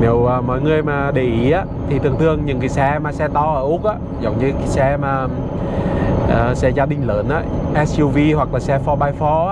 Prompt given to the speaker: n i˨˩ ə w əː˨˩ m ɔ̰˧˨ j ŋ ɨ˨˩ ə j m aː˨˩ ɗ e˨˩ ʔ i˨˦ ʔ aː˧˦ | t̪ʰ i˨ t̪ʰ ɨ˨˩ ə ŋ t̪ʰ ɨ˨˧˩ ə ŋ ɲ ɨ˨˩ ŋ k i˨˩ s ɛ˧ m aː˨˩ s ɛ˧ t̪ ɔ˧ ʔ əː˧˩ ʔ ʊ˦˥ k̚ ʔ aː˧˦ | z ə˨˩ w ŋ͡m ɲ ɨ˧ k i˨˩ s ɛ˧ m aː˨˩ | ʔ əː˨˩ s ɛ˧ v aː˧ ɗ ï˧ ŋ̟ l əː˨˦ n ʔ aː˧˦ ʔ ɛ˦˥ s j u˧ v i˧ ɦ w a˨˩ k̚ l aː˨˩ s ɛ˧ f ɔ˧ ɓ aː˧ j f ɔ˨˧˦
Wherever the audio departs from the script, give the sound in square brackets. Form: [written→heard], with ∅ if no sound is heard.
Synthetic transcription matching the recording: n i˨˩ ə w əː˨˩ m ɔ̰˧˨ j ŋ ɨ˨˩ ə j m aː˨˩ ɗ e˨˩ ʔ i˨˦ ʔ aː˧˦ | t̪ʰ i˨ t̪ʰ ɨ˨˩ ə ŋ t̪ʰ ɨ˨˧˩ ə ŋ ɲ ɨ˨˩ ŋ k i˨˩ s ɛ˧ m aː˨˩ s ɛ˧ t̪ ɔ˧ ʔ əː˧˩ ʔ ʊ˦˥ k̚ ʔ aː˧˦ | z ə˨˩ w ŋ͡m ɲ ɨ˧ k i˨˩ s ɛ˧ m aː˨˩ | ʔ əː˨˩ s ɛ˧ [v→z] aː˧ ɗ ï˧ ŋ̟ l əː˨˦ n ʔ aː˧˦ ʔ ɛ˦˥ s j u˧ v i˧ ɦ w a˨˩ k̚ l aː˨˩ s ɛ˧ f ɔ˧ ɓ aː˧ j f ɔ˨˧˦

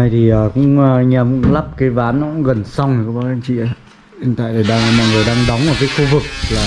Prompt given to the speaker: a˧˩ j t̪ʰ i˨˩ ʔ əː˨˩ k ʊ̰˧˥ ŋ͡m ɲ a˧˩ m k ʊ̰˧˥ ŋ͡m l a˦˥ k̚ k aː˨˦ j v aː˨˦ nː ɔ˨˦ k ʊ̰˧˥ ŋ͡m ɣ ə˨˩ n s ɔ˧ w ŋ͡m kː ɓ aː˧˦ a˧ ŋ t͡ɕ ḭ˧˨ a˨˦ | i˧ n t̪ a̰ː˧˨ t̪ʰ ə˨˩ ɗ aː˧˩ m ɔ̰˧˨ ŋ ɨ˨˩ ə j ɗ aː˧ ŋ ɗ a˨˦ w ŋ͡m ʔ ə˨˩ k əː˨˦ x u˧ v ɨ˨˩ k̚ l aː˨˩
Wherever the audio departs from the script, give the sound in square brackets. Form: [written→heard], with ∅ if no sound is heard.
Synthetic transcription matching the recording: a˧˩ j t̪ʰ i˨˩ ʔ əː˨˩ k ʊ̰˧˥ ŋ͡m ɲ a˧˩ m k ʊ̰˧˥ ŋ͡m l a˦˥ [k̚→p̚] k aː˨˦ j v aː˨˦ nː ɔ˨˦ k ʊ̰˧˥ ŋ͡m ɣ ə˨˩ n s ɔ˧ w ŋ͡m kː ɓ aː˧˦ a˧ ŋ t͡ɕ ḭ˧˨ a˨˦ | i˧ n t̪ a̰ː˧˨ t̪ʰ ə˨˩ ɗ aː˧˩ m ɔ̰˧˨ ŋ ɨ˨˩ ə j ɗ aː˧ ŋ ɗ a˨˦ w ŋ͡m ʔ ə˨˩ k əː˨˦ x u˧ v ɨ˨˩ k̚ l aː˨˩

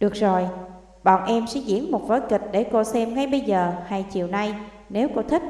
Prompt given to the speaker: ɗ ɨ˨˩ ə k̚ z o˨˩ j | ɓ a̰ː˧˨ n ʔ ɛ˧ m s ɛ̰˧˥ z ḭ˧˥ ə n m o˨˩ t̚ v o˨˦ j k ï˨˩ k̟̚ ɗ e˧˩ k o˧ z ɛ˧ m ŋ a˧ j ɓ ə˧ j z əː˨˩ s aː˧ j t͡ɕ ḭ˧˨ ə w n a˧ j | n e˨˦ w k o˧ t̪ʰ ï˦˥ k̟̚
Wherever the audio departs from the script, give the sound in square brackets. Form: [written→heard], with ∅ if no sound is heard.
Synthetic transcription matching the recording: ɗ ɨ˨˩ ə k̚ z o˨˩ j | ɓ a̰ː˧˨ n ʔ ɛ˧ m s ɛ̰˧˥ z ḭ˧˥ ə n m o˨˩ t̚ v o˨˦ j k ï˨˩ k̟̚ ɗ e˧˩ k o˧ [z→s] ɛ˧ m ŋ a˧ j ɓ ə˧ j z əː˨˩ [s→h] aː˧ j t͡ɕ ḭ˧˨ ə w n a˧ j | n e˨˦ w k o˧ t̪ʰ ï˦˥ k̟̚

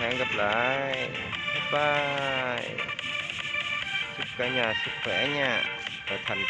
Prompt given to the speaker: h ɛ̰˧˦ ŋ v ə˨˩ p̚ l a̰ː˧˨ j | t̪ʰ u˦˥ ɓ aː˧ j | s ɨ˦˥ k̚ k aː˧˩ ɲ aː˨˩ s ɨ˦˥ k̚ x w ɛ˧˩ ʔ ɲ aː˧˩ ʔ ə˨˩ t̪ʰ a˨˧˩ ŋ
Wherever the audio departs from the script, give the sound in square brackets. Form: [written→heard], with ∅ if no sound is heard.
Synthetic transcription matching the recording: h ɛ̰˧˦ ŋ [v→ɣ] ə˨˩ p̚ l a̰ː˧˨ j | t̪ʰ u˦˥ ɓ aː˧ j | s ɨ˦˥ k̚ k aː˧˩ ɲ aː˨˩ s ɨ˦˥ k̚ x w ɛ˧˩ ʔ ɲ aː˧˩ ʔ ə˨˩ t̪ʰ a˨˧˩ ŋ

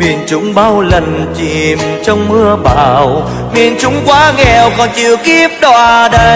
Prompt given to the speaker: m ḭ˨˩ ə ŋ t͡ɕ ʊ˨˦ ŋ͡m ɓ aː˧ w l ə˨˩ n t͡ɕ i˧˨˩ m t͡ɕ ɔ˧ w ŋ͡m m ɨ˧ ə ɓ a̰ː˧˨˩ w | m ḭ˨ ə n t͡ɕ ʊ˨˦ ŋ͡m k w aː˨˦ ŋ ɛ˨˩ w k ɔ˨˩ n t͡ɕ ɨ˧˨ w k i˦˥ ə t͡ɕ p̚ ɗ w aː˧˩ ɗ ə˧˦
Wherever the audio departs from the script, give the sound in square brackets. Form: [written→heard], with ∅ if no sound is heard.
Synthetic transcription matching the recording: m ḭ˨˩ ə [ŋ→n] t͡ɕ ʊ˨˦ ŋ͡m ɓ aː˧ w l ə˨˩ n t͡ɕ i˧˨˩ m t͡ɕ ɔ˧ w ŋ͡m m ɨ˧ ə ɓ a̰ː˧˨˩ w | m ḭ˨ ə n t͡ɕ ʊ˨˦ ŋ͡m k w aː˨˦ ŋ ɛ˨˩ w k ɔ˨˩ n t͡ɕ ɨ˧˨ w k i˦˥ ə [t͡ɕ→∅] p̚ ɗ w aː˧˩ ɗ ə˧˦

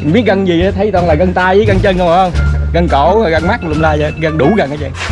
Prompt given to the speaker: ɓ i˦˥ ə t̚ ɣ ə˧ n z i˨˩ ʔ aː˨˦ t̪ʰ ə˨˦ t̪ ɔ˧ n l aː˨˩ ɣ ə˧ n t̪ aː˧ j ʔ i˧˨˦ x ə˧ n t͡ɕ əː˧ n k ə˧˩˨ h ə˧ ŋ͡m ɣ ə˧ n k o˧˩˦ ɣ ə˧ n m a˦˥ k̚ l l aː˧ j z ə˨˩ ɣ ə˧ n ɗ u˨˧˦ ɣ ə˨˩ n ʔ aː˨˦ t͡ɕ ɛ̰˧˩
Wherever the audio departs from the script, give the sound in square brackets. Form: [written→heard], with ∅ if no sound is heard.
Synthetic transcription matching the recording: ɓ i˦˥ ə t̚ ɣ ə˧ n z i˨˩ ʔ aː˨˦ t̪ʰ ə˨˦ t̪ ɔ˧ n l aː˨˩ ɣ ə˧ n t̪ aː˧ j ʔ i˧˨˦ [x→ɣ] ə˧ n t͡ɕ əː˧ n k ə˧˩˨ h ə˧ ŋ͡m ɣ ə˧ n k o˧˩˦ ɣ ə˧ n m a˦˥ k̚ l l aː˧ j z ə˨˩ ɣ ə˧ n ɗ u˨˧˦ ɣ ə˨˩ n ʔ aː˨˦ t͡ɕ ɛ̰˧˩

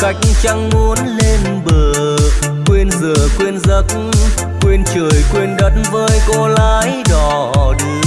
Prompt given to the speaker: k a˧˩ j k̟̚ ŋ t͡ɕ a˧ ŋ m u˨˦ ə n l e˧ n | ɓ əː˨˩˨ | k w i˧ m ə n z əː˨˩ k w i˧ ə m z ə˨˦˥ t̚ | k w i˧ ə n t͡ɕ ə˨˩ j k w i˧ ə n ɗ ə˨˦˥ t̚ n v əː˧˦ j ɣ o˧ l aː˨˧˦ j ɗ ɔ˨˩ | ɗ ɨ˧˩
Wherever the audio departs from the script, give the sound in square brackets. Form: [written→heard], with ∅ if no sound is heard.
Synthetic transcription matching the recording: k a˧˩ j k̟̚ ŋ t͡ɕ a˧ ŋ m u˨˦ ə n l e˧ n | ɓ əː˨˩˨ | k w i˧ [m→∅] ə n z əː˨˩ k w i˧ ə [m→n] z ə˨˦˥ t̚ | k w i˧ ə n t͡ɕ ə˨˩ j k w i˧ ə n ɗ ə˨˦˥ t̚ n v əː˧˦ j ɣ o˧ l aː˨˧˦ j ɗ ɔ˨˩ | ɗ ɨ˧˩

